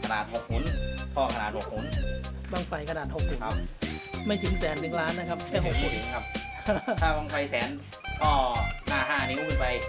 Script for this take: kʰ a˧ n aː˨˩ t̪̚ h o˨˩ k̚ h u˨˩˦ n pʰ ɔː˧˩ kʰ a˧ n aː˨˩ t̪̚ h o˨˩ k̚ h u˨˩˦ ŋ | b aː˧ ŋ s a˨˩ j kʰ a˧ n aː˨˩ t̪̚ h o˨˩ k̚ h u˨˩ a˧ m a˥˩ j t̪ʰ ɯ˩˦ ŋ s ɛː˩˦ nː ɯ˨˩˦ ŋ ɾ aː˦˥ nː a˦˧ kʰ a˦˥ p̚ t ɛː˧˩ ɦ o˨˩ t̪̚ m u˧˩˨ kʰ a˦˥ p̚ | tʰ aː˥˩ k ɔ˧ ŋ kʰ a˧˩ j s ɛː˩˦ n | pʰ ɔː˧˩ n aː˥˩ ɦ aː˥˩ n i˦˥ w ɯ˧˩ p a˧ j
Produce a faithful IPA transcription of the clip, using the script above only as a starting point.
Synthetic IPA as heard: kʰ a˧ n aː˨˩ t̪̚ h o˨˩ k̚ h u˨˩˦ n pʰ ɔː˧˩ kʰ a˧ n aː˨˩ t̪̚ h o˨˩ k̚ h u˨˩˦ n | b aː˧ ŋ f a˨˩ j kʰ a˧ n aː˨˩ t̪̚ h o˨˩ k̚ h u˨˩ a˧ m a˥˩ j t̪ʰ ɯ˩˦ ŋ s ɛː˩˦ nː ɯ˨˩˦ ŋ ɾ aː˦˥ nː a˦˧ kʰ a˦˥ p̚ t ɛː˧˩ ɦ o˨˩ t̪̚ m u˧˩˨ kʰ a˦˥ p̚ | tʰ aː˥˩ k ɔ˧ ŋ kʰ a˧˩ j s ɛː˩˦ n | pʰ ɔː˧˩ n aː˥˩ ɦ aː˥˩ n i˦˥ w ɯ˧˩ p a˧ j